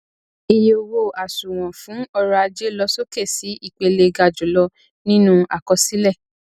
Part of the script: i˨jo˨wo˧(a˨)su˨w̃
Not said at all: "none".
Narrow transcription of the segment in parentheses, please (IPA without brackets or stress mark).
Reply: a˨